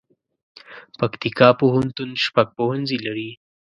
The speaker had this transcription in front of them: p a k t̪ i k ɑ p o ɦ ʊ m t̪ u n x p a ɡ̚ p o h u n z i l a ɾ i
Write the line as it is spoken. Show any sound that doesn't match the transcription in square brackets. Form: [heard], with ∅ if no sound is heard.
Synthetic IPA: p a k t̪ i k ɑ p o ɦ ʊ [n] t̪ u n [ʃ] p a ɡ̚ p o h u n z i l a ɾ i